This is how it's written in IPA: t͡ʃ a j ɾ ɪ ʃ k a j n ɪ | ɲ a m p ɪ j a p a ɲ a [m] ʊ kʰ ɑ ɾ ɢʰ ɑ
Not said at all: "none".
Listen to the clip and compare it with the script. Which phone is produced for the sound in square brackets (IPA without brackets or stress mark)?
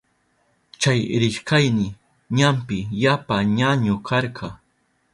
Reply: ɲ